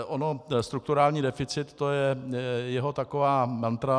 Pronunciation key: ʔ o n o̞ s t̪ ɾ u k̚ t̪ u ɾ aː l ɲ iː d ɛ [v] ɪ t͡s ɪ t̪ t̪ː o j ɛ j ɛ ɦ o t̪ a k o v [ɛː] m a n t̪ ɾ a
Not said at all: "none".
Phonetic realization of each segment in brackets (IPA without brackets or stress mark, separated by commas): f, aː